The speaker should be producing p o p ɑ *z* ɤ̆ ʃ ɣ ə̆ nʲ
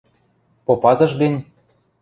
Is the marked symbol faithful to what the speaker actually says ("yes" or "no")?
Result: yes